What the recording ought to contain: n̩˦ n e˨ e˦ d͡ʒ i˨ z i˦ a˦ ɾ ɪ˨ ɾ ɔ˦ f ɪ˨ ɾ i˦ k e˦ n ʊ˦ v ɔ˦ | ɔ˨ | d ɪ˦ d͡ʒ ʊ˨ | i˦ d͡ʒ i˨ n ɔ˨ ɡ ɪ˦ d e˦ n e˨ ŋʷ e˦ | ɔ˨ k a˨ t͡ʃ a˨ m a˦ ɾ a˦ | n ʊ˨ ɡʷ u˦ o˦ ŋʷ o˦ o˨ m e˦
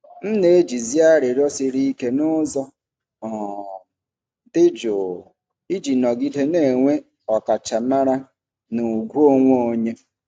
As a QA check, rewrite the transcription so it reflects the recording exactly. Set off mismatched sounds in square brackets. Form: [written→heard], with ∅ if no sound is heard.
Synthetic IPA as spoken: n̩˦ n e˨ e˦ d͡ʒ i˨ z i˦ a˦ ɾ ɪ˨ ɾ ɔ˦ [f→s] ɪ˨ ɾ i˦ k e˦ n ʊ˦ [v→z] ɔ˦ | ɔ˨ | d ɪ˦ d͡ʒ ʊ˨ | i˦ d͡ʒ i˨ n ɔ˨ ɡ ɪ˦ d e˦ n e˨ ŋʷ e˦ | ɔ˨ k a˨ t͡ʃ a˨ m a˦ ɾ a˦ | n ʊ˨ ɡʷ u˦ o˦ ŋʷ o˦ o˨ [m→ɲ] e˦